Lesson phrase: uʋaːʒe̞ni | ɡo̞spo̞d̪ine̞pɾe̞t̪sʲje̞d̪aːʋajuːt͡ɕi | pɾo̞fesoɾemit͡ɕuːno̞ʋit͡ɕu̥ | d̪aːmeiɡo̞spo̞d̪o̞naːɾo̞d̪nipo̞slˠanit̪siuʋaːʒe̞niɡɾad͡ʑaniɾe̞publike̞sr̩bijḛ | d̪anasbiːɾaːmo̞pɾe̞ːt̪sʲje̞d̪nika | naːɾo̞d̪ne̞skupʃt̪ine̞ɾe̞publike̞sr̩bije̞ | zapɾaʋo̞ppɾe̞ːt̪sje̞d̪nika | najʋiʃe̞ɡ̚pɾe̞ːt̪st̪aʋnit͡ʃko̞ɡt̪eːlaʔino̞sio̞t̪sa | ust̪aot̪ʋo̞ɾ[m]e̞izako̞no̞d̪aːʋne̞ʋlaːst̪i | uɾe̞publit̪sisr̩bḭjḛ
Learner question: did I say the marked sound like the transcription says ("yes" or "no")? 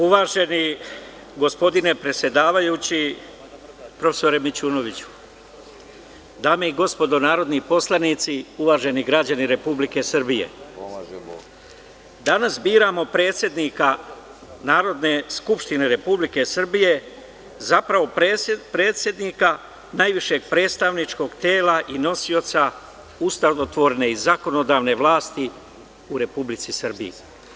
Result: no